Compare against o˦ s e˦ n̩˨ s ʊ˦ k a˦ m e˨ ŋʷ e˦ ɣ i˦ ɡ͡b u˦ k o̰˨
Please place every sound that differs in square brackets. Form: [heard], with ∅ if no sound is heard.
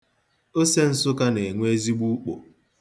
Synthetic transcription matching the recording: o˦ s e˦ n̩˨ s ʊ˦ k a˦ [n] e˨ ŋʷ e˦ [z] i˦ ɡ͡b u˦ [k͡p] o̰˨